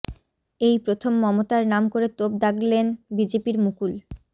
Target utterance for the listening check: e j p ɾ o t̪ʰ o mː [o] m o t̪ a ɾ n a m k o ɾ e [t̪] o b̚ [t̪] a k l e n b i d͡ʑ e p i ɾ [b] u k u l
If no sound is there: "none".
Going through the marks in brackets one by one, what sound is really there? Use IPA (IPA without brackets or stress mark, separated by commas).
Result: ɔ, t̪, d̪, m